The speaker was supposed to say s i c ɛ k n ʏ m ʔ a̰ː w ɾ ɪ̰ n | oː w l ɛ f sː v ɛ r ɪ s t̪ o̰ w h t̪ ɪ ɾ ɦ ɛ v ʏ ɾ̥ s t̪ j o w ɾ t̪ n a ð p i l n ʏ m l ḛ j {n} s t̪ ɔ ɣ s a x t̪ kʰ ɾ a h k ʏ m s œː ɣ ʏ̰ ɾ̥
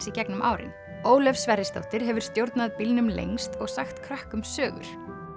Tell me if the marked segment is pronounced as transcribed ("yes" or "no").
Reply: no